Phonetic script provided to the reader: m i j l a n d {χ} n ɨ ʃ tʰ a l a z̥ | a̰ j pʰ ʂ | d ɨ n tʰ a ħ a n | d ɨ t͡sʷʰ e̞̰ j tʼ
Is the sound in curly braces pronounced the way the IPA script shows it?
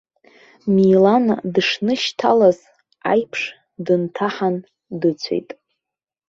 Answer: no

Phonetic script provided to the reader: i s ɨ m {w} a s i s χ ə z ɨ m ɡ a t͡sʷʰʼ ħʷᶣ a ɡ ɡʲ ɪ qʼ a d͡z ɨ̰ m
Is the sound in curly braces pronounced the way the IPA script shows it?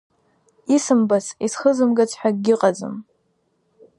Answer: no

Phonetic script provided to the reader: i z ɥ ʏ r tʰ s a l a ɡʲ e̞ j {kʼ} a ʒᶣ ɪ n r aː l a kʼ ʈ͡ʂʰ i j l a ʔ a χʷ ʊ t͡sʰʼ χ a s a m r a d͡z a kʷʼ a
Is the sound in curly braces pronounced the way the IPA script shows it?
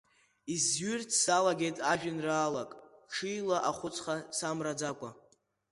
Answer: no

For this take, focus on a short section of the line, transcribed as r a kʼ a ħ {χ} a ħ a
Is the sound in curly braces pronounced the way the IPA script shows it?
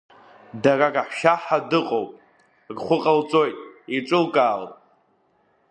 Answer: no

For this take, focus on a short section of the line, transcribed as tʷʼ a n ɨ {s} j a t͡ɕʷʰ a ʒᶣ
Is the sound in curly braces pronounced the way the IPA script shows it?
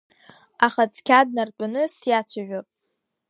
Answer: yes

